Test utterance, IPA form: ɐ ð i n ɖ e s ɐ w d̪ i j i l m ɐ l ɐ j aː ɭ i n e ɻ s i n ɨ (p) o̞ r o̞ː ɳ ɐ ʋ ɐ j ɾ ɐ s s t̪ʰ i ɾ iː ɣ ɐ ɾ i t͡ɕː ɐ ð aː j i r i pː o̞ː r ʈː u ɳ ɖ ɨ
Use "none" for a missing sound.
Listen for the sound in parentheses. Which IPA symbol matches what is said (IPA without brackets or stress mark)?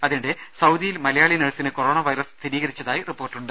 k